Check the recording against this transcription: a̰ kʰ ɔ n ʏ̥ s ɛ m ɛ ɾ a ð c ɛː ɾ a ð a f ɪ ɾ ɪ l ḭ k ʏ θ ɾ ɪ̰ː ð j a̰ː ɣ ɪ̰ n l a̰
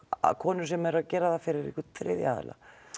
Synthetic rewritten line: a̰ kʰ ɔː n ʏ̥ s ɛ m ɛ ɾ a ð c ɛː ɾ a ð a f ɪ ɾ ɪ ɾ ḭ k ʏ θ ɾ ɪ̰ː ð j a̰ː ð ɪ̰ l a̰